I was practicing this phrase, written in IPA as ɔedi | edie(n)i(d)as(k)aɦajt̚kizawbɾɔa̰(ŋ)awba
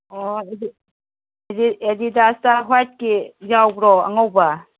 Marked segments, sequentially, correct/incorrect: incorrect: d, correct, incorrect: t, correct

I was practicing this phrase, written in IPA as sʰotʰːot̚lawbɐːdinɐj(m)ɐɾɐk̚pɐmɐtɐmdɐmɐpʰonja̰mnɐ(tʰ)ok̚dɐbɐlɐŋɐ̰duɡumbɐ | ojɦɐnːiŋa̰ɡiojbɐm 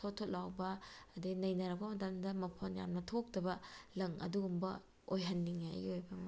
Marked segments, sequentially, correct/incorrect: incorrect: n, correct

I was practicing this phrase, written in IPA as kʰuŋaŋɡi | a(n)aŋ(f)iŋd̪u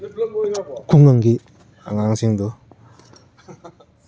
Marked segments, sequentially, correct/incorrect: incorrect: ŋ, incorrect: s

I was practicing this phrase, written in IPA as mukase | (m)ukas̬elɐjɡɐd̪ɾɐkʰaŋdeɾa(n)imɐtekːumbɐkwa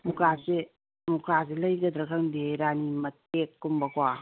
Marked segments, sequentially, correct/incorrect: correct, correct

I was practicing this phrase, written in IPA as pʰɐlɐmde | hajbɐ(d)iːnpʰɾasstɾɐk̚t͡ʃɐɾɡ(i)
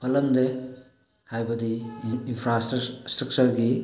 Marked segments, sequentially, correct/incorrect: correct, correct

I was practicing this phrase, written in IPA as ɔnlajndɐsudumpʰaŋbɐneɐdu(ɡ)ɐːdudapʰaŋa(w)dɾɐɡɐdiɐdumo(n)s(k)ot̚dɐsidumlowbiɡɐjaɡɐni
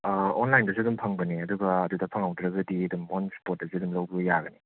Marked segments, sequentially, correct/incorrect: correct, correct, correct, incorrect: p

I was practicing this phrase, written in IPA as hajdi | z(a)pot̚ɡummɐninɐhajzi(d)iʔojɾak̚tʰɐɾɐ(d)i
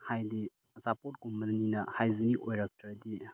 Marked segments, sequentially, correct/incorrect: correct, incorrect: n, correct

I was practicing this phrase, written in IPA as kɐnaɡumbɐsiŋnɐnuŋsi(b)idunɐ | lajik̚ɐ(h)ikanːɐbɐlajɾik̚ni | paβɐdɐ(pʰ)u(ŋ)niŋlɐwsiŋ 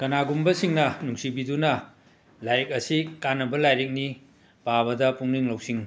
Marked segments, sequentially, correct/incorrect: correct, incorrect: s, incorrect: p, correct

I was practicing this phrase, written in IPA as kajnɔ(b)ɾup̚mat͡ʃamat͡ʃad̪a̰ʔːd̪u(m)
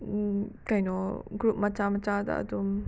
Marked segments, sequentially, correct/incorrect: incorrect: ɡ, correct

